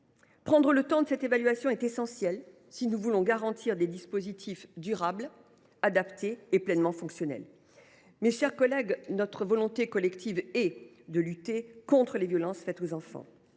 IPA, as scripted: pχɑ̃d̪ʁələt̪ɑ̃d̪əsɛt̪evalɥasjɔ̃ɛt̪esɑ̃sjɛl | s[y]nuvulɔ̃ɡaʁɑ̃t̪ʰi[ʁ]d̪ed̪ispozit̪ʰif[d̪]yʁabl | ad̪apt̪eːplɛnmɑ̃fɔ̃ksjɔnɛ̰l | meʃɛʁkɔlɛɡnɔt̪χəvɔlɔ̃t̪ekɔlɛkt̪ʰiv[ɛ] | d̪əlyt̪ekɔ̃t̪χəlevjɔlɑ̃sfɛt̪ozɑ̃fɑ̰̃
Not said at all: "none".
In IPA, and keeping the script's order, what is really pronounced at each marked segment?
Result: i, ʁ, d̪, ɛ

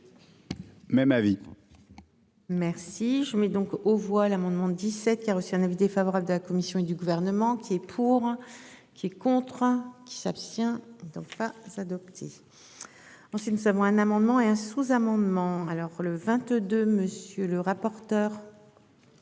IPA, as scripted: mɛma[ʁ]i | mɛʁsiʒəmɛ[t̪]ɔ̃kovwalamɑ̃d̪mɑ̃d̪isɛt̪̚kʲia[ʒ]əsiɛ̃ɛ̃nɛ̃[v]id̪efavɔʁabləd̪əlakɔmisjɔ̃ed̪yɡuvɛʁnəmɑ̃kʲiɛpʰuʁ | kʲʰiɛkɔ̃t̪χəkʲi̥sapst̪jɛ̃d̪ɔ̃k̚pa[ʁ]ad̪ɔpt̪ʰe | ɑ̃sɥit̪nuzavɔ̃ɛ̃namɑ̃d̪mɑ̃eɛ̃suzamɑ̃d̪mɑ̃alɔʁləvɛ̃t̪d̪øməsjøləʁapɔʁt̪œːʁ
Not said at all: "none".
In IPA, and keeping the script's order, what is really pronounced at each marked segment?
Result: v, d̪, ʁ, v, z

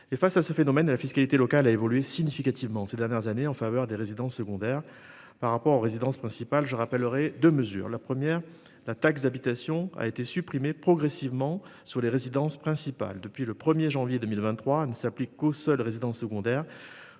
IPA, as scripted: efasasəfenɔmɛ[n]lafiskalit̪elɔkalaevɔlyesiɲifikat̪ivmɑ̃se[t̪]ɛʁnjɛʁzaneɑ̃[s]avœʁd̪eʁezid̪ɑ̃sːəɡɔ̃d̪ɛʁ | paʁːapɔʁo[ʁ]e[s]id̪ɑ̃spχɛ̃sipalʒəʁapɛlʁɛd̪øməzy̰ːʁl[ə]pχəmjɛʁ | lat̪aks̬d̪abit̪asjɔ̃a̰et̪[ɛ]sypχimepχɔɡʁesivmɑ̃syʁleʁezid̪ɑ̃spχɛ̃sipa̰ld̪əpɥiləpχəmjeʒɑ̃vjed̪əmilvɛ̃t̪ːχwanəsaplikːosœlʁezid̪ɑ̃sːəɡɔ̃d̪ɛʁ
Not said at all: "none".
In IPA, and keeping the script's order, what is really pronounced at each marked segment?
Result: n, d̪, f, ʁ, z, a, e

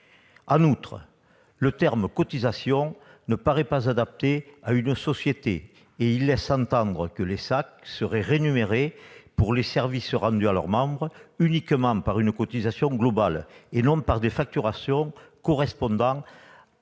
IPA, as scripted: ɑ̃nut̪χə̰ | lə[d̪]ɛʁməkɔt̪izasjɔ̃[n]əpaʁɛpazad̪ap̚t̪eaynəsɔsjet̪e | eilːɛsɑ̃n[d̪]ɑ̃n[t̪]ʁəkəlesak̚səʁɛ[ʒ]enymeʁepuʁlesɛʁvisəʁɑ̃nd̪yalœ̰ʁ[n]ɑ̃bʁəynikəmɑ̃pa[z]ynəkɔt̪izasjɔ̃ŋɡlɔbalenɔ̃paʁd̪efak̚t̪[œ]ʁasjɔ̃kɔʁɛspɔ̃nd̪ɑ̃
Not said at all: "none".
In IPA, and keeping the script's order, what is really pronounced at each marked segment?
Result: t̪, n, t̪, d̪, ʁ, m, ʁ, y

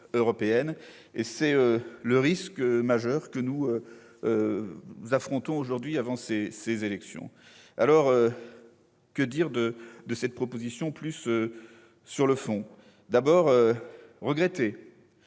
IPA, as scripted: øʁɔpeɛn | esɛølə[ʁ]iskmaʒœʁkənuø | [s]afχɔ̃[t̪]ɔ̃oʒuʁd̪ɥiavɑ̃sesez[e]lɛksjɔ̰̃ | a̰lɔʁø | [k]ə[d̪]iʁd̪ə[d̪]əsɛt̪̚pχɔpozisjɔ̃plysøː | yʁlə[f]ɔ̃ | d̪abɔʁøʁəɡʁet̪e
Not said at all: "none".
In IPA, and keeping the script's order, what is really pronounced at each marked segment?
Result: ʁ, z, t̪, e, k, d̪, d̪, f

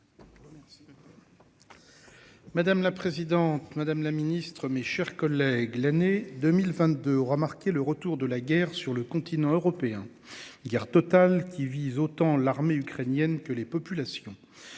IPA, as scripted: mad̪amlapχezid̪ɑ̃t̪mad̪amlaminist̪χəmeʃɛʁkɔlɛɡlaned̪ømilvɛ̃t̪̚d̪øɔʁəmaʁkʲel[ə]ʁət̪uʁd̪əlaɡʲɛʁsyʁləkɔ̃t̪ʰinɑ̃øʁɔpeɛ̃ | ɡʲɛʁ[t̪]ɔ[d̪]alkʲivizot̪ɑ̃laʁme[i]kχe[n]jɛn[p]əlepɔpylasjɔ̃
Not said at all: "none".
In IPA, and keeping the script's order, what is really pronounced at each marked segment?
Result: ə, t̪, t̪, y, n, k

